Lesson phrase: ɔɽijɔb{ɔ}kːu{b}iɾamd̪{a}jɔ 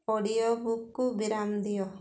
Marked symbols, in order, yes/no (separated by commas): no, yes, no